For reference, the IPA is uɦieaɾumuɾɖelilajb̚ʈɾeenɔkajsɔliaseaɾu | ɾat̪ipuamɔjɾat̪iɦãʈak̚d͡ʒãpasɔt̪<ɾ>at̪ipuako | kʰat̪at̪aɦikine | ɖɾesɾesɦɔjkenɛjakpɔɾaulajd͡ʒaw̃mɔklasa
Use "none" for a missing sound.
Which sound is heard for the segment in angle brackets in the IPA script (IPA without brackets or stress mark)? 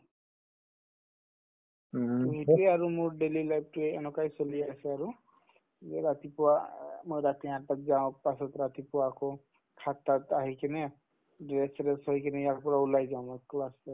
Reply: ɾ